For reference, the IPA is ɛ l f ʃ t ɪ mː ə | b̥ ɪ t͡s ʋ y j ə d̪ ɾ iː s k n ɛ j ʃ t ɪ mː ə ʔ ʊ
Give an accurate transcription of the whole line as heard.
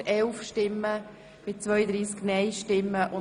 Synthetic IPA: ɛ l f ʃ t ɪ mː ə | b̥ ɪ t͡s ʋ œ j ə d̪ ɾ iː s k n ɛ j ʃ t ɪ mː ə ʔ ʊ